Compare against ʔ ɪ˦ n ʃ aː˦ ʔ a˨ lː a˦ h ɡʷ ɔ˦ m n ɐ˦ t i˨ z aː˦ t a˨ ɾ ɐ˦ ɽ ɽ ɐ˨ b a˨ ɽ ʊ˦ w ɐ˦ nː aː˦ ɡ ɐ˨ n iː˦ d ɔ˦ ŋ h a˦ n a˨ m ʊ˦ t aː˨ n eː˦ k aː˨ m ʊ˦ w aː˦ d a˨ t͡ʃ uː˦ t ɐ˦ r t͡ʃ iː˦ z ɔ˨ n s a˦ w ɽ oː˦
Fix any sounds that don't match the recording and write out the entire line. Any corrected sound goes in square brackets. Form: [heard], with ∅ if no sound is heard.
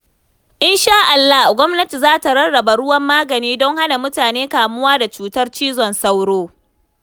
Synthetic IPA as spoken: ʔ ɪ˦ n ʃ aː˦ ʔ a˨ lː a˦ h ɡʷ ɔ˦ m n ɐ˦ t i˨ z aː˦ t a˨ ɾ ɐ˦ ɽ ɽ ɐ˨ b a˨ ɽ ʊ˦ w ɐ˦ [mː] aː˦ ɡ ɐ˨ n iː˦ d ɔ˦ ŋ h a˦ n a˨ m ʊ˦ t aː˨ n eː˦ k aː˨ m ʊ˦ w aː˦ d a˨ t͡ʃ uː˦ t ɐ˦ r t͡ʃ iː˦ z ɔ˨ n s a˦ w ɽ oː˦